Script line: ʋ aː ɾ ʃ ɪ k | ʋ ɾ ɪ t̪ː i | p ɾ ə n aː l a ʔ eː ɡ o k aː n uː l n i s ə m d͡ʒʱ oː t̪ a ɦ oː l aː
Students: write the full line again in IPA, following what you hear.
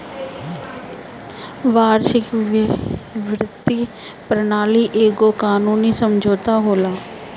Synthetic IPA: ʋ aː ɾ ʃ ɪ k | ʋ ɾ ɪ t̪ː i | p ɾ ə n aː l i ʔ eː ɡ o k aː n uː n i s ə m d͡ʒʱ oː t̪ a ɦ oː l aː